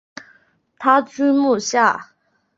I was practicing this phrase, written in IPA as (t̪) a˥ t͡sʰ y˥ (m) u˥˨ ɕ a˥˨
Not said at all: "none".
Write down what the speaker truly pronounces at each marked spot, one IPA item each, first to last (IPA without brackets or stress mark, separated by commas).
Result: t̪ʰ, m